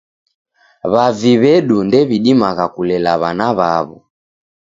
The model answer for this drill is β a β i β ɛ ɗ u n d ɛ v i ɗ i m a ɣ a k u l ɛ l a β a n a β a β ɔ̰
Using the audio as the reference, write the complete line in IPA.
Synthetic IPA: β a v i β ɛ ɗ u n d ɛ β i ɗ i m a ɣ a k u l ɛ l a β a n a β a β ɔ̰